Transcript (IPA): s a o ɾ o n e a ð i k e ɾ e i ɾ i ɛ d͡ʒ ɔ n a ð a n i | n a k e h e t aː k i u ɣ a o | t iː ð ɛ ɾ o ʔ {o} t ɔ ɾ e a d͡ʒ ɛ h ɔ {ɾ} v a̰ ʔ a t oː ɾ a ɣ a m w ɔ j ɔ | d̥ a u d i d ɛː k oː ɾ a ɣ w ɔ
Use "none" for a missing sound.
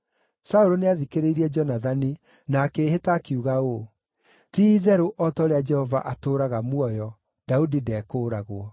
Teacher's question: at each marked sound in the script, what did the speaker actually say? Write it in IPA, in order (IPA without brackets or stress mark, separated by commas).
ɔ, none